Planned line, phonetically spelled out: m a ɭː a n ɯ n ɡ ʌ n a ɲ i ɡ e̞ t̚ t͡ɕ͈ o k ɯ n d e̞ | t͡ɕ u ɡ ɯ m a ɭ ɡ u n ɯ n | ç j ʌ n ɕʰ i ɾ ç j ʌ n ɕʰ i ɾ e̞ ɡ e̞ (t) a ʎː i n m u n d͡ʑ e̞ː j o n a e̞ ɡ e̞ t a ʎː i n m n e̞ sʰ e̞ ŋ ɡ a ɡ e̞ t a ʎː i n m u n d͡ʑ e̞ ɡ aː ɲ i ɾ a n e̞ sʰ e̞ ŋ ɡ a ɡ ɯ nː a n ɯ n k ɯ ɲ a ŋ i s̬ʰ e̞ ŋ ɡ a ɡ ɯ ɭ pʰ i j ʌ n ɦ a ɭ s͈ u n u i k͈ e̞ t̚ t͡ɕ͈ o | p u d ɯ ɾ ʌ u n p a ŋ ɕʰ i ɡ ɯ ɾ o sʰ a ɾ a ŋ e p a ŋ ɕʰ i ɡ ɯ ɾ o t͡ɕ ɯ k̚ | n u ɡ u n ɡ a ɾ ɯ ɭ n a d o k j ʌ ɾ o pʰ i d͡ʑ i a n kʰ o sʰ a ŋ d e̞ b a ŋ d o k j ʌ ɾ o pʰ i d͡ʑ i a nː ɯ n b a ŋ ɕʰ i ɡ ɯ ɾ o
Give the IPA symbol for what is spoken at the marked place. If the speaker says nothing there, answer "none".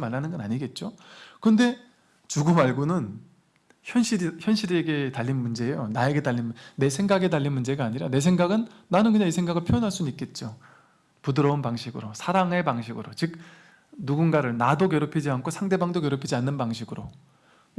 t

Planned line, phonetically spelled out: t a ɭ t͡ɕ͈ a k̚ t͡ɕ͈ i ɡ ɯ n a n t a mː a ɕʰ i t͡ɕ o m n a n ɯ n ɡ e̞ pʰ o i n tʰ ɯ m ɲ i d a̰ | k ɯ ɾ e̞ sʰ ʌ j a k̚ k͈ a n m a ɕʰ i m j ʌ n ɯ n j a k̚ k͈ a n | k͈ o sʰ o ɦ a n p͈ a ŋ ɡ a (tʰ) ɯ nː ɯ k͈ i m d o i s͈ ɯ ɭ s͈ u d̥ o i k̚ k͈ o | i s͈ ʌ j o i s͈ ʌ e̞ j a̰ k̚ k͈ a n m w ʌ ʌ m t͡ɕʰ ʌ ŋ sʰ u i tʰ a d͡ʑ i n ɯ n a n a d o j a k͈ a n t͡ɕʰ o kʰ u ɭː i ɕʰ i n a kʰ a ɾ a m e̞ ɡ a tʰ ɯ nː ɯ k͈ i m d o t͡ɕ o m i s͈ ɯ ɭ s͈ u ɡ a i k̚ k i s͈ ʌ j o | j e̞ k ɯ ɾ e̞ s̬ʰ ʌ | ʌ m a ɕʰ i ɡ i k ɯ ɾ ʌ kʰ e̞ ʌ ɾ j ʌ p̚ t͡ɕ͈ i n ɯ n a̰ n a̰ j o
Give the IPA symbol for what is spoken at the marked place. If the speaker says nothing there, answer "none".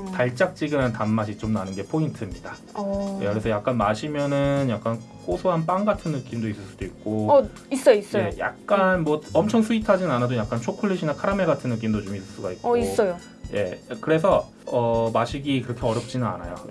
tʰ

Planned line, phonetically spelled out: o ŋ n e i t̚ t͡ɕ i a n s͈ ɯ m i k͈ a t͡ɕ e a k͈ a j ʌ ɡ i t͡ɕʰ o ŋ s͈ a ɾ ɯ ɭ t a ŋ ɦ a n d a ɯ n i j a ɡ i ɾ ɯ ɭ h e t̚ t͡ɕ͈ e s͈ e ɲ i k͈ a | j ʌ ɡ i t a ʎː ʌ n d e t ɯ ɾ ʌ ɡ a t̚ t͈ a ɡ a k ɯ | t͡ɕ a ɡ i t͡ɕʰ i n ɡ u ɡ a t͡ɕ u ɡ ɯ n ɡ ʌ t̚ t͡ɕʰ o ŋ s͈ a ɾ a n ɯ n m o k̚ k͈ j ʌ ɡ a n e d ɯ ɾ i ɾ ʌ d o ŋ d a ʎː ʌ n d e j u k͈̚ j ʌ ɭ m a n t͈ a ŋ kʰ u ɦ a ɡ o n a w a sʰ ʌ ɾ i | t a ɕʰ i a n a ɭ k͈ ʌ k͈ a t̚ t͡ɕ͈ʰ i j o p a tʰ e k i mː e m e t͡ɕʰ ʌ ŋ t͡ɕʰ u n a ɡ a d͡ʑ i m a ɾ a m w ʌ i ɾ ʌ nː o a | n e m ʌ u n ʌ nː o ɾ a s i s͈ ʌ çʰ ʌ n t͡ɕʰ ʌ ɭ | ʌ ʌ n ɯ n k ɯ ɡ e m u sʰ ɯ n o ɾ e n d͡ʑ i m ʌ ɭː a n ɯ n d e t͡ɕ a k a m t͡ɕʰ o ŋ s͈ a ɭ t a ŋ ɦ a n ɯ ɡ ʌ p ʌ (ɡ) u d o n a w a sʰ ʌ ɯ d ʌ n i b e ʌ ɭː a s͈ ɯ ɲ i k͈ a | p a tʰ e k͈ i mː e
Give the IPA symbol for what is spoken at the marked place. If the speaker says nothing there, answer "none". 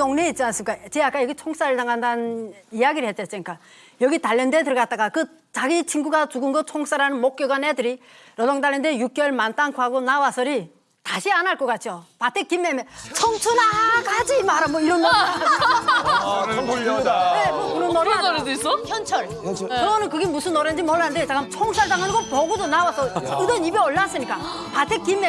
ɡ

